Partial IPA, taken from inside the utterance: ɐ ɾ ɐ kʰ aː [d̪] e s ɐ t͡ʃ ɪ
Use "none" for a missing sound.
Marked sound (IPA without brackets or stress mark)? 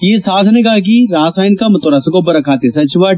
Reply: t̪